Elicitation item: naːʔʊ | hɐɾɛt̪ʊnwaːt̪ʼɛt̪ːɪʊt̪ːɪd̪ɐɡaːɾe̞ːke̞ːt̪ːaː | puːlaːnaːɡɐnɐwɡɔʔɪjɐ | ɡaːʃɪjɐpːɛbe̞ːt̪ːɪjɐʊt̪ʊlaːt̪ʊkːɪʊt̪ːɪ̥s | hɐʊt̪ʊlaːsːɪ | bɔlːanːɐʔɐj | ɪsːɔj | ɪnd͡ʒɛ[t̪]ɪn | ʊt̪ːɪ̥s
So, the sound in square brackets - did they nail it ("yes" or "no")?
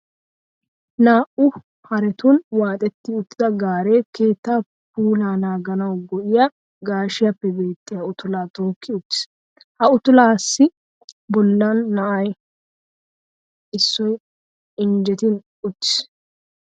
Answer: yes